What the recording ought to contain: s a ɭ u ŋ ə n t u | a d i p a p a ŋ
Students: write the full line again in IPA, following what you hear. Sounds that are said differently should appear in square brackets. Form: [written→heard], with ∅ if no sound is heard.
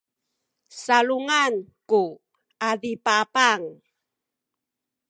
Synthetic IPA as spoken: s a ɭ u ŋ [ə→a] n [t→k] u | a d i p a p a ŋ

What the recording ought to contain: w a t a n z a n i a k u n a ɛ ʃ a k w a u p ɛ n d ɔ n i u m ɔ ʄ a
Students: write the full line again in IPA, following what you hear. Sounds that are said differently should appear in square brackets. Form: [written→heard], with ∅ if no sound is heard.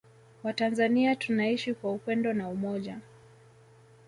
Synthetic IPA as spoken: w a t a n z a n i a [k→t] u n a [ɛ→i] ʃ [a→i] k w a u p ɛ n d ɔ n [i→a] u m ɔ ʄ a

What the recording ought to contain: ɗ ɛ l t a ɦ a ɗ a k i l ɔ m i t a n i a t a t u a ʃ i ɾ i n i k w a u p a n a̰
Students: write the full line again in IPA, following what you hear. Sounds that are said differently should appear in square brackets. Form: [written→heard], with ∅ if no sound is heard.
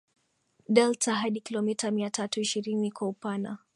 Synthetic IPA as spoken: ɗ ɛ l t a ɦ a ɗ [a→i] k i l ɔ m i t a [n→m] i a t a t u [a→i] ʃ i ɾ i n i k w a u p a n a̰

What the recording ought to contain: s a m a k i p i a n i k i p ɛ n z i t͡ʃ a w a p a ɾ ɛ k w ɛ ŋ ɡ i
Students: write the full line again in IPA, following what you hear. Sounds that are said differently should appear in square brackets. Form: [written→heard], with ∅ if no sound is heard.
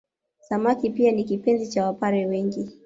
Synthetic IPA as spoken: s a m a k i p i a n i k i p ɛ n z i t͡ʃ a w a p a ɾ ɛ [k→∅] w ɛ ŋ ɡ i

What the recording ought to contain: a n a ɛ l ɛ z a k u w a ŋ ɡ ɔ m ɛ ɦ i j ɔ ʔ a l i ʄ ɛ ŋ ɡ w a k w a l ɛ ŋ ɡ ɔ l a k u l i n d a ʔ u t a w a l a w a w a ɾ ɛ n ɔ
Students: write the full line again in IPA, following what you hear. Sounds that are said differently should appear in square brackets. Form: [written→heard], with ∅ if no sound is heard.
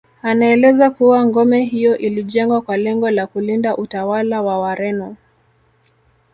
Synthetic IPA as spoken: a n a ɛ l ɛ z a k u w a ŋ ɡ ɔ m ɛ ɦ i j ɔ ʔ [a→i] l i ʄ ɛ ŋ ɡ w a k w a l ɛ ŋ ɡ ɔ l a k u l i n d a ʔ u t a w a l a w a w a ɾ ɛ n ɔ

